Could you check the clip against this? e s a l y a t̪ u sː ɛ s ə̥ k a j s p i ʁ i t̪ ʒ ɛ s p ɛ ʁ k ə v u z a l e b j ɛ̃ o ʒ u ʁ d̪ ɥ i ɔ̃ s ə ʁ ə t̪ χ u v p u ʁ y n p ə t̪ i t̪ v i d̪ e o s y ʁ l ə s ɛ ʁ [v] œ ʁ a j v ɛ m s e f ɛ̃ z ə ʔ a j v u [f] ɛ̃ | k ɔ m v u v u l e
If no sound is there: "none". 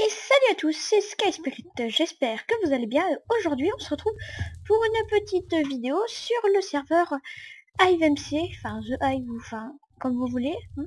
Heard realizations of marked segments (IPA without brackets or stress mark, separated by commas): v, f